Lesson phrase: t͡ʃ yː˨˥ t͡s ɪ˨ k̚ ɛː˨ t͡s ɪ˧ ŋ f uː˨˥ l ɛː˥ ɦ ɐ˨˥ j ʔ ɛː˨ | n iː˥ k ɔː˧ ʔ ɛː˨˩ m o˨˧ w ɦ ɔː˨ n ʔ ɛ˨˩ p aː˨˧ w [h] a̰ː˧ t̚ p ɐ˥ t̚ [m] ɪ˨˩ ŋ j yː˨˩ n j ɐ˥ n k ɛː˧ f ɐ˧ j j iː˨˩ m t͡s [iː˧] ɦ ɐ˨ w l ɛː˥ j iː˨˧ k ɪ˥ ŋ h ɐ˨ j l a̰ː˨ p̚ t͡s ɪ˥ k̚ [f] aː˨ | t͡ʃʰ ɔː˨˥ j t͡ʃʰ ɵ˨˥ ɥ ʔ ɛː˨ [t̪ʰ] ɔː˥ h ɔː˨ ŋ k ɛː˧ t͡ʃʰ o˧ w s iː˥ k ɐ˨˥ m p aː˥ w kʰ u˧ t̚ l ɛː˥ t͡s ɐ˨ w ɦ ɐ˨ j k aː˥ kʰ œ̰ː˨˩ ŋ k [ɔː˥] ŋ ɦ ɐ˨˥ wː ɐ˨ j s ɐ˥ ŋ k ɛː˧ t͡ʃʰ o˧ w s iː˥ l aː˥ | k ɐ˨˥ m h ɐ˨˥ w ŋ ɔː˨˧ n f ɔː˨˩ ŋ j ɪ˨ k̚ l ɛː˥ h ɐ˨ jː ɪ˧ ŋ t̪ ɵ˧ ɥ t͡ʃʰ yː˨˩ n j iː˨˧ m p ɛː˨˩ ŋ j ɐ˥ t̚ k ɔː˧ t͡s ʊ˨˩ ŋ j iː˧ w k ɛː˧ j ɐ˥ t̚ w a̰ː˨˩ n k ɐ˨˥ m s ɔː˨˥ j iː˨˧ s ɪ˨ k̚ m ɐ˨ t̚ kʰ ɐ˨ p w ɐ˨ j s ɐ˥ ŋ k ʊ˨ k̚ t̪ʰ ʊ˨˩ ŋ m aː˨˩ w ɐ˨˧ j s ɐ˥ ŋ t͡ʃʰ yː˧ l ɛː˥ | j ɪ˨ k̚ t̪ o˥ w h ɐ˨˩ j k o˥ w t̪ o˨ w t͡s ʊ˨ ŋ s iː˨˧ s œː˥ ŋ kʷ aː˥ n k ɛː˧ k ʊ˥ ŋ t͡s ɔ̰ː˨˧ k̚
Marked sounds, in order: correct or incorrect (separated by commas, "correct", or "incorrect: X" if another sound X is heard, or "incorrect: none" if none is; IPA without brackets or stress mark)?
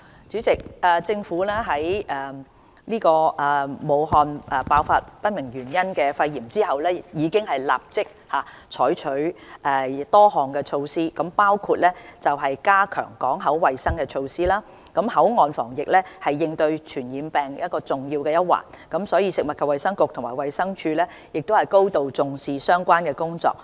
incorrect: f, correct, incorrect: iː˥, incorrect: h, incorrect: t̪, incorrect: ɔː˨˥